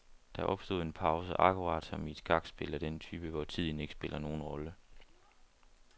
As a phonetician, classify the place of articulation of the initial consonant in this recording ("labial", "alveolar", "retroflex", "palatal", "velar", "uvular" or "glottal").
alveolar